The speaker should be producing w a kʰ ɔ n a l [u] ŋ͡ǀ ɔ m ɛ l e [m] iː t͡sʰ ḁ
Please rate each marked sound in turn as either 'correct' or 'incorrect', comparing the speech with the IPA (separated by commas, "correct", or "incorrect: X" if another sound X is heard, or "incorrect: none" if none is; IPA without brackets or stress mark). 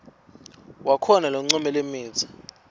incorrect: ɔ, correct